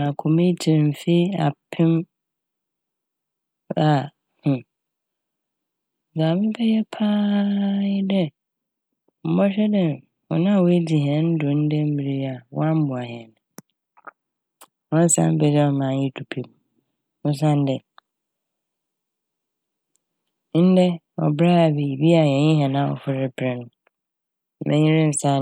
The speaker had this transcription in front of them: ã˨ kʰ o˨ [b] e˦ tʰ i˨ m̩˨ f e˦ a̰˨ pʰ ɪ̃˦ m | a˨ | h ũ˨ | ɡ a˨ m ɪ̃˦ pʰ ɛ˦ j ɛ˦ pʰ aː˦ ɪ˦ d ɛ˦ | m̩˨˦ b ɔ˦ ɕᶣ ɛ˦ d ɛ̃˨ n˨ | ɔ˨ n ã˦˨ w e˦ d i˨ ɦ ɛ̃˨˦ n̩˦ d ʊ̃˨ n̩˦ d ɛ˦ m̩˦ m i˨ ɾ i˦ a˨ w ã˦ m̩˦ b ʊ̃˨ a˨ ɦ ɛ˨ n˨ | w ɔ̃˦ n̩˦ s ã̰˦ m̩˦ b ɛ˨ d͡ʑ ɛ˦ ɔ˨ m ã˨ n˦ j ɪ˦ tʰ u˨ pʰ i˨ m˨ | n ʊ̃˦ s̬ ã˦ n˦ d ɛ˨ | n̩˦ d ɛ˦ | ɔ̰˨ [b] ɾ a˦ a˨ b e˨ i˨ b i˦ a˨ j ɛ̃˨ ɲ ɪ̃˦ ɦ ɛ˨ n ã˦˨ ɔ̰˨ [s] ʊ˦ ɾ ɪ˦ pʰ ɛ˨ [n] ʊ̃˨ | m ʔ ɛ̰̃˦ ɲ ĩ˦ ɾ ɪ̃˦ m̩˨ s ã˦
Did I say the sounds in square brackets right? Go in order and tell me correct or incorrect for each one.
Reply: incorrect: m, correct, incorrect: f, correct

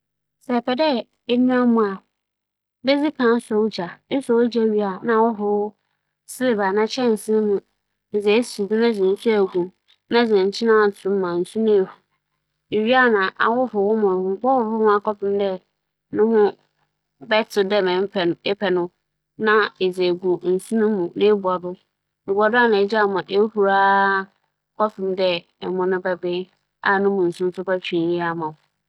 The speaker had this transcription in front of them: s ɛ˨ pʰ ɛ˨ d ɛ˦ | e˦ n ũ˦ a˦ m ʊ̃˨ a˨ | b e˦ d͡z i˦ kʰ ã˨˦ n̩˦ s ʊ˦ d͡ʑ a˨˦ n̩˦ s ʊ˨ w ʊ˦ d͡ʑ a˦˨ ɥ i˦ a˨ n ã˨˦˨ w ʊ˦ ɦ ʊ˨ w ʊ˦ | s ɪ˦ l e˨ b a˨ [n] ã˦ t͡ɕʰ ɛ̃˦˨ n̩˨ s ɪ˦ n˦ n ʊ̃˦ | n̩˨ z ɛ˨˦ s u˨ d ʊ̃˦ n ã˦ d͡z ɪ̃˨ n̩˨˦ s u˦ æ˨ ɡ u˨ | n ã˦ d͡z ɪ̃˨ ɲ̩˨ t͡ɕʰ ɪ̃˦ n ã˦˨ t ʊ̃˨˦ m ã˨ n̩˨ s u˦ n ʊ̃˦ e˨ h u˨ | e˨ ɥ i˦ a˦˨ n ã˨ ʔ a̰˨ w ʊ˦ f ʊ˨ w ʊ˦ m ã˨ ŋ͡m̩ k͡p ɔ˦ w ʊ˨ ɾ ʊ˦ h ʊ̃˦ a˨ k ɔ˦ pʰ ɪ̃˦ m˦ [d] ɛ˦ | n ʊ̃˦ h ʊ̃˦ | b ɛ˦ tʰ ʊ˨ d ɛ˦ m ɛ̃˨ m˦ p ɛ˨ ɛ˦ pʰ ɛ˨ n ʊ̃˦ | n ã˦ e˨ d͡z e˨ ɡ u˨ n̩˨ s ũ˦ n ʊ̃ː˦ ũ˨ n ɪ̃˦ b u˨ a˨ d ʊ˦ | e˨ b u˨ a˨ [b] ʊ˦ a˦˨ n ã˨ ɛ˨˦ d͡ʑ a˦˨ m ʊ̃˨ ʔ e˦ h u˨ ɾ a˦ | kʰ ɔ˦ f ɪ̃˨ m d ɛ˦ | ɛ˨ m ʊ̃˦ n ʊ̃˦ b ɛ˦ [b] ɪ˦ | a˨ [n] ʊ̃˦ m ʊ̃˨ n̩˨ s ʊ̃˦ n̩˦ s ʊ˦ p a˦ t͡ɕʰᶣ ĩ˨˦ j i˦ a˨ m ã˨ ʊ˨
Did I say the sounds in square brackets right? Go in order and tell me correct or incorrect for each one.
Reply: correct, correct, incorrect: d, correct, correct

